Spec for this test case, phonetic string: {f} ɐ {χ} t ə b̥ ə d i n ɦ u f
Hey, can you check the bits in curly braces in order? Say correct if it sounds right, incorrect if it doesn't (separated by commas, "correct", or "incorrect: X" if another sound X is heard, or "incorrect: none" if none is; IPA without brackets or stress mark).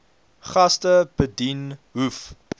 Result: incorrect: χ, incorrect: s